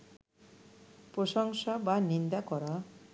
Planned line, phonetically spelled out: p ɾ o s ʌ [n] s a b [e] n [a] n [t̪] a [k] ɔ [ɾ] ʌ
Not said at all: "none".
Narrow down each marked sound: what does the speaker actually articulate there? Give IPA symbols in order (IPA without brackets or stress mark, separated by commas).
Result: ŋ, a, i, d̪, k, ɾ